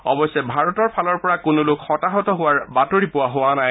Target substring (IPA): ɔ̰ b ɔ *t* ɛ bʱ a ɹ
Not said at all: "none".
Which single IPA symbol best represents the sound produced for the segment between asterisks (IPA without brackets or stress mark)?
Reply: s